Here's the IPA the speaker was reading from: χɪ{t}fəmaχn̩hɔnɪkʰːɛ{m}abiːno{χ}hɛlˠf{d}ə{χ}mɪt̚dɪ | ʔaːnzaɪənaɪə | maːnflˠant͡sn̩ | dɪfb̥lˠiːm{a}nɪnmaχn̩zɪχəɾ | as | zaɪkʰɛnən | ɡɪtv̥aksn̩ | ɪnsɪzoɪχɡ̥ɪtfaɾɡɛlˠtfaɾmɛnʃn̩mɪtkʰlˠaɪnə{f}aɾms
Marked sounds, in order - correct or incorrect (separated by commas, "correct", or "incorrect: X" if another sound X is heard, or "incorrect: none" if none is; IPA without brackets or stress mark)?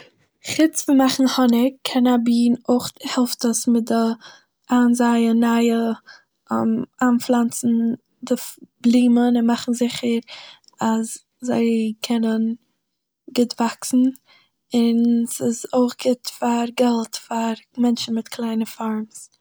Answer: incorrect: t͡s, incorrect: n, correct, incorrect: t, incorrect: s, incorrect: ə, correct